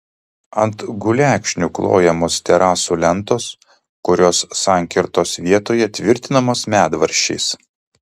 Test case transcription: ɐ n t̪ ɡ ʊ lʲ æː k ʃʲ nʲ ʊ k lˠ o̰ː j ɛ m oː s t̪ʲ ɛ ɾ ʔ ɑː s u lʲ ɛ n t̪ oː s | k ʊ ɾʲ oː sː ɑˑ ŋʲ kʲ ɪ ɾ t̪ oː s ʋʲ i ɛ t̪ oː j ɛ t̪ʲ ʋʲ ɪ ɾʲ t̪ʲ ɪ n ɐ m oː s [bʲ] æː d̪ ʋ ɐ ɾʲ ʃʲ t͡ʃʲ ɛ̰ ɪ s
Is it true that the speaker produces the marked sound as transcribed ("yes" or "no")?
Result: no